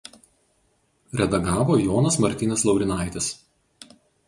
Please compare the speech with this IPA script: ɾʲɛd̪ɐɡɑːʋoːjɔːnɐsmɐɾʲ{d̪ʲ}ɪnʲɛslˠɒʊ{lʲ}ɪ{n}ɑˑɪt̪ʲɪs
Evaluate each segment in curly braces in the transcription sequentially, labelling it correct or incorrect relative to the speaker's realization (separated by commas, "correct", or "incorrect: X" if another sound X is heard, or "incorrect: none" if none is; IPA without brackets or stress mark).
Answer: incorrect: t̪ʲ, incorrect: ɾʲ, correct